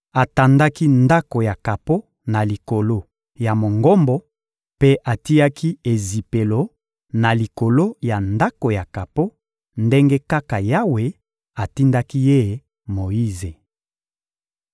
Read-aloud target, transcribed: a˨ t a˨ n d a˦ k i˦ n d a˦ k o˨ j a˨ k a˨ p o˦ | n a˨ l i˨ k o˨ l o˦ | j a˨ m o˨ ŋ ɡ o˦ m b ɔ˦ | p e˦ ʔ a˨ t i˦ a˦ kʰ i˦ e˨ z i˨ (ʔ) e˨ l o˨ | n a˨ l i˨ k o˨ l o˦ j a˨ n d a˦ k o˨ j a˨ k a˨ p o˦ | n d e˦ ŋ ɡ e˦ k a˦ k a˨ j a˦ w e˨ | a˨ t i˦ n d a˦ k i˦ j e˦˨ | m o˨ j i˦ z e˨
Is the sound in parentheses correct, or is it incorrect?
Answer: incorrect